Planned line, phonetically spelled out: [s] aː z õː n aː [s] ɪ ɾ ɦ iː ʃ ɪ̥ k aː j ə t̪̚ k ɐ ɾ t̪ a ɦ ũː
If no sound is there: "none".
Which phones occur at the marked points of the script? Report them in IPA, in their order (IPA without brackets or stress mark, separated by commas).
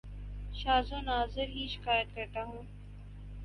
ʃ, z